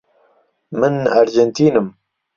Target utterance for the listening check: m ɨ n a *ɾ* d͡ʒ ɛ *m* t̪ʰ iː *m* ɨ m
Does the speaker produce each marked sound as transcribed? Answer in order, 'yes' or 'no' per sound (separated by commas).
yes, no, no